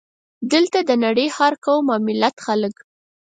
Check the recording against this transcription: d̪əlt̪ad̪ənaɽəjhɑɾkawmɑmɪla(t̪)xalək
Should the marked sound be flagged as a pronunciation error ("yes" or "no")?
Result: no